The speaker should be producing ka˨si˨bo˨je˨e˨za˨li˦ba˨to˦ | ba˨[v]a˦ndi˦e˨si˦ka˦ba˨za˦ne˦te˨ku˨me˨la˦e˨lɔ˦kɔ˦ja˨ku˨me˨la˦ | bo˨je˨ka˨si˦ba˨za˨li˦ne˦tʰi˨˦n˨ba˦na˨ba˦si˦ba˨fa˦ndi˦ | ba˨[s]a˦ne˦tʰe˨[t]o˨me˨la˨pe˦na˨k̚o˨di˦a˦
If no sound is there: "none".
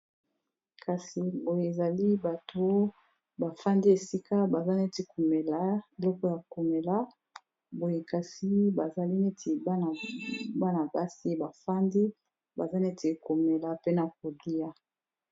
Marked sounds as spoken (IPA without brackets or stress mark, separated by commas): f, z, k